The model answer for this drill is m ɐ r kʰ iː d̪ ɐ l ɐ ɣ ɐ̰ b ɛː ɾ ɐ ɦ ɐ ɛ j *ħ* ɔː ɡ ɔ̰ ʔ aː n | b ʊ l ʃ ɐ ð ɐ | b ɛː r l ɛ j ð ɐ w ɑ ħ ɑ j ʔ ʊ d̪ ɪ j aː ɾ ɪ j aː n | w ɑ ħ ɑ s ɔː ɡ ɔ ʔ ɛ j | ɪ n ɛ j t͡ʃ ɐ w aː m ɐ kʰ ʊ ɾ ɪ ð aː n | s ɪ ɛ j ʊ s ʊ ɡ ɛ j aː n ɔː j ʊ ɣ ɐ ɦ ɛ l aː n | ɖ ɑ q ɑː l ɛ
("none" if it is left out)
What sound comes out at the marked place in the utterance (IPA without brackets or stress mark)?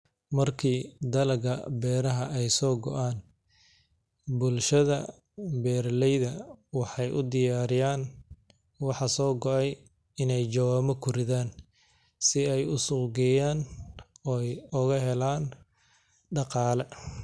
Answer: s